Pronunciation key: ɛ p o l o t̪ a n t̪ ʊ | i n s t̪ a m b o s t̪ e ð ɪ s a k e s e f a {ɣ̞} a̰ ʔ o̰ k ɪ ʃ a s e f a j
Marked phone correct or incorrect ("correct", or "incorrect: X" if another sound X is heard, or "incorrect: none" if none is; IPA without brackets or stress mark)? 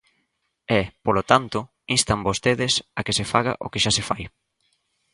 correct